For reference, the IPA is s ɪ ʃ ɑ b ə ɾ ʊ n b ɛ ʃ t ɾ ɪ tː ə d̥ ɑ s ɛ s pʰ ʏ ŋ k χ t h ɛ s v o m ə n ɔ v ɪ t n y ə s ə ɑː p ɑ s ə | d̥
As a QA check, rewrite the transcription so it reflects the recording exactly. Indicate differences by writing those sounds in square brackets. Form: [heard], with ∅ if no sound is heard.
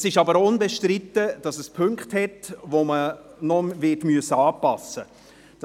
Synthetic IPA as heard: s ɪ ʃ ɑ b ə ɾ ʊ n b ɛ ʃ t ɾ ɪ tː ə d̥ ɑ s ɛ s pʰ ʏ ŋ k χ t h ɛ [t] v o m ə n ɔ v ɪ t [m] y ə s ə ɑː p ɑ s ə | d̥